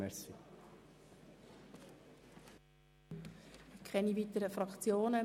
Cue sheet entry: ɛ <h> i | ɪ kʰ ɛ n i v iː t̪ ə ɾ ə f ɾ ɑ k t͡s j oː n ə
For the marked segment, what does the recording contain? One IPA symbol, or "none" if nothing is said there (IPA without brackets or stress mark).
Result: s